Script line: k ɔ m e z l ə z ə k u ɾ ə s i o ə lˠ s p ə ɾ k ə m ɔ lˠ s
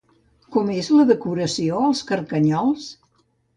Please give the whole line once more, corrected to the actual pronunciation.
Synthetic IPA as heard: k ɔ m e z l ə ð ə k u ɾ ə s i o ə lˠ s k ə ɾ k ə ɲ ɔ lˠ s